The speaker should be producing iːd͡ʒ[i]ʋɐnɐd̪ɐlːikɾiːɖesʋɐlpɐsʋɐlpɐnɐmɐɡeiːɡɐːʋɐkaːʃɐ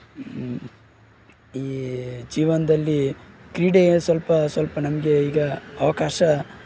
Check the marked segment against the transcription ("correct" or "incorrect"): incorrect